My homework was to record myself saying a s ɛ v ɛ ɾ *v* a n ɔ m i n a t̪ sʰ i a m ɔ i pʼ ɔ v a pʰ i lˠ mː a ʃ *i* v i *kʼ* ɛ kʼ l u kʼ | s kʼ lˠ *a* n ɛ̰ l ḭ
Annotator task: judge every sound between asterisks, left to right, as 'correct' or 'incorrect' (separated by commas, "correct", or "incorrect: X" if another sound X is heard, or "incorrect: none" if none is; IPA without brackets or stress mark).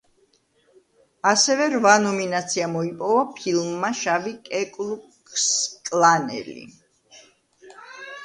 correct, incorrect: a, correct, correct